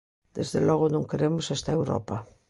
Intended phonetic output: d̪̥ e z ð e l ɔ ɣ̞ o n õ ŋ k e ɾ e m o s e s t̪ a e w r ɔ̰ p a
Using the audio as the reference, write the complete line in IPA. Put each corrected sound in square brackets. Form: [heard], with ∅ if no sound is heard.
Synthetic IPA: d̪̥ e z ð e l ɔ ɣ̞ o n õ ŋ k e ɾ e m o s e s t̪ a e w [ɾ] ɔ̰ p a

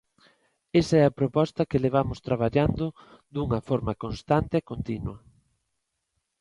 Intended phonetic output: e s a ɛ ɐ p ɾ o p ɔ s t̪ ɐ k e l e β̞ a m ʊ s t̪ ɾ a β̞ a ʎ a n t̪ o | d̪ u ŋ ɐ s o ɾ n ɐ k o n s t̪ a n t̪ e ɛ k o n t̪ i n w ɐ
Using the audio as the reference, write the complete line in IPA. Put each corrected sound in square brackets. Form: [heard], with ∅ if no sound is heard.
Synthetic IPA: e s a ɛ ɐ p ɾ o p ɔ s t̪ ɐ k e l e β̞ a m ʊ s t̪ ɾ a β̞ a ʎ a n [d̪] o | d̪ u ŋ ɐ [f] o ɾ [m] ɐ k o n s t̪ a n t̪ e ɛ k o n t̪ i n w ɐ

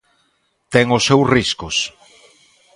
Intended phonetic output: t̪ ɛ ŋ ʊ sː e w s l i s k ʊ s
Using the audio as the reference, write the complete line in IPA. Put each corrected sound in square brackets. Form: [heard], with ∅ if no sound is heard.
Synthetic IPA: t̪ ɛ ŋ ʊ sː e w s [r] i s k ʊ s

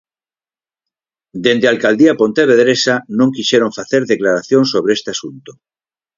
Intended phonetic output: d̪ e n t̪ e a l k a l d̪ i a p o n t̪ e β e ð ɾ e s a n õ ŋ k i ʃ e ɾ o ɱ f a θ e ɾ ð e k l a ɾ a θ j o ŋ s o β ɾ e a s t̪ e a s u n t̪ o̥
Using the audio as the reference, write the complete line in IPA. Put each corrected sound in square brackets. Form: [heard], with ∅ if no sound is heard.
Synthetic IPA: d̪ e n [d̪] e a l k a l d̪ i a p o n t̪ e β e ð ɾ e s a n õ ŋ k i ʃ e ɾ o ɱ f a θ e ɾ ð e k l a ɾ a θ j o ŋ s o β ɾ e [e] s t̪ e a s u n t̪ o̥

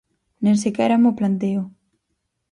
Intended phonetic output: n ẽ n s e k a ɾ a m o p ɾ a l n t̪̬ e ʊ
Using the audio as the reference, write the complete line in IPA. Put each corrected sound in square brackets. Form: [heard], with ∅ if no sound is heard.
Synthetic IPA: n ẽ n s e k [ɛ] ɾ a m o p [l] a [∅] n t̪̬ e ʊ

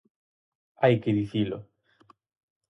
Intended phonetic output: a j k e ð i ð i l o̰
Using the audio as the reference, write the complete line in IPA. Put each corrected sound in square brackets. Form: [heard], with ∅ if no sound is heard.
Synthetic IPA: a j k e ð i [θ] i l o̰

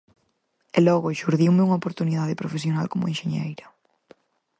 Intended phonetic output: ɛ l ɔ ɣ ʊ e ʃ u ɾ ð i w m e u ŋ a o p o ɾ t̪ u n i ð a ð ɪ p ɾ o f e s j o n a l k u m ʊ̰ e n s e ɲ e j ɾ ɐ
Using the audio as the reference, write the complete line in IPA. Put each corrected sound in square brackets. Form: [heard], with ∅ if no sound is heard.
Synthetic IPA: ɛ l ɔ ɣ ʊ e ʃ u ɾ ð i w m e u ŋ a o p o ɾ t̪ u n i ð a ð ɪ p ɾ o f e s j o n a l k [o] m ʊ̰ e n [ʃ] e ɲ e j ɾ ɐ

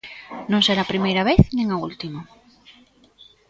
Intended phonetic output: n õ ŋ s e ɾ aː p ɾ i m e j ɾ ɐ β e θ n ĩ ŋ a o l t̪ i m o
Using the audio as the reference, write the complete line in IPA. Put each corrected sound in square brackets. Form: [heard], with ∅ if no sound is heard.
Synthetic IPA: n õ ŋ s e ɾ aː p ɾ i m e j ɾ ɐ β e θ n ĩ ŋ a [u] l t̪ i m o

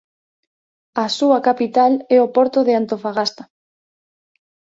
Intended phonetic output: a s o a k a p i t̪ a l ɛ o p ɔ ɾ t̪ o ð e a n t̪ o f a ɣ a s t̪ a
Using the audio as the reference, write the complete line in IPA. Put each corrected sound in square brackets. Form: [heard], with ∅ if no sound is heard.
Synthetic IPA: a s [u] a k a p i t̪ a l ɛ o p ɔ ɾ t̪ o ð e a n t̪ o f a ɣ a s t̪ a

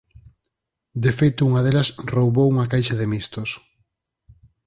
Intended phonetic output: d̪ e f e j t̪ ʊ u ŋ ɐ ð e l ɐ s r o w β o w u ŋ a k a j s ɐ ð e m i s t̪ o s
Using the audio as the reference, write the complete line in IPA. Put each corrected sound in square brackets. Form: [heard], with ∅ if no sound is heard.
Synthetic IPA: d̪ e f e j t̪ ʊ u ŋ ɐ ð e l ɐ s r o w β o w u ŋ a k a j [ʃ] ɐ ð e m i s t̪ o s

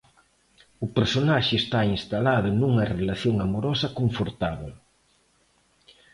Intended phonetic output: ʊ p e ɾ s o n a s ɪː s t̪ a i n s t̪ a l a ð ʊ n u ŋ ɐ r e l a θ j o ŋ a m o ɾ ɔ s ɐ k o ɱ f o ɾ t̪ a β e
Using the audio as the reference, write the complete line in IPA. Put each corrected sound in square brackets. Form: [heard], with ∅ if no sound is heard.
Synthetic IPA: ʊ p e ɾ s o n a [ʃ] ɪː s t̪ a i n s t̪ a l a ð ʊ n u ŋ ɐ r e l a θ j o ŋ a m o ɾ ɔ s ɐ k o ɱ f o ɾ t̪ a β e

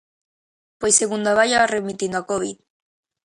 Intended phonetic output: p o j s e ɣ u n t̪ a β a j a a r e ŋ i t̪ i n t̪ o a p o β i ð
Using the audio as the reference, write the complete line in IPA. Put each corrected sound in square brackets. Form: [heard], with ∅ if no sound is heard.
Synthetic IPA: p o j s e ɣ u n [d̪] a β a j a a r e [m] i t̪ i n [d̪] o a [k] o β i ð

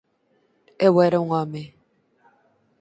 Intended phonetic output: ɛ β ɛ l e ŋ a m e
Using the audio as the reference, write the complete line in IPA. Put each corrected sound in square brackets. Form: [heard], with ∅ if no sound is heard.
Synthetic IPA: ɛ [w] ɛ [ɾ] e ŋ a m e

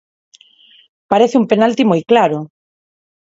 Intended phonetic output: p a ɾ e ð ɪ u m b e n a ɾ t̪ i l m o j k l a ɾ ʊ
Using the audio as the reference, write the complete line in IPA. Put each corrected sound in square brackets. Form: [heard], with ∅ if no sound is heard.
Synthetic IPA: p a ɾ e [θ] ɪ u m [p] e n a [l] t̪ i [∅] m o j k l a ɾ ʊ

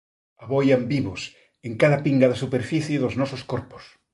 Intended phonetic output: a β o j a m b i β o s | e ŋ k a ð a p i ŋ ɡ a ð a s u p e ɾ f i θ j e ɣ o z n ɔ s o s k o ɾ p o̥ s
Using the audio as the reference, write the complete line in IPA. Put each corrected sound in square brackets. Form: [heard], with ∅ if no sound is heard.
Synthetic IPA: a β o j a m b i β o s | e ŋ k a ð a p i ŋ ɡ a ð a s u p e ɾ f i θ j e [ð] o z n ɔ s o s k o ɾ p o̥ s

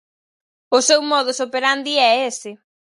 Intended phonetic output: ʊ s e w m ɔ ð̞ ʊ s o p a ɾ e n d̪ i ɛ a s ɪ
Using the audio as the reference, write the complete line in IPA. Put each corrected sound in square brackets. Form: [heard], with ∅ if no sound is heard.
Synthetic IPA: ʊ s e w m ɔ ð̞ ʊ s o p [e] ɾ [a] n d̪ i ɛ [e] s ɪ

